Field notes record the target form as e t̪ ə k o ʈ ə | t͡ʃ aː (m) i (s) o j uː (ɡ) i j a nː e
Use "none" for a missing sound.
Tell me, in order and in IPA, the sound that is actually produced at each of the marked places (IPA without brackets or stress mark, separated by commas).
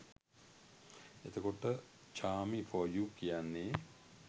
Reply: m, f, k